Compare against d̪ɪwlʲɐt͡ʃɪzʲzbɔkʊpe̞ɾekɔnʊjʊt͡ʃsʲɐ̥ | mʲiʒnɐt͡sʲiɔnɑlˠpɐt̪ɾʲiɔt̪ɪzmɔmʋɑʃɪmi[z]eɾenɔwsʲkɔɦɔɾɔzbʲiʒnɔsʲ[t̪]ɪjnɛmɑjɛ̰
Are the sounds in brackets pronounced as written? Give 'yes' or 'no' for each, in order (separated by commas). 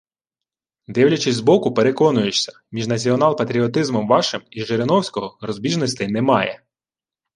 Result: no, yes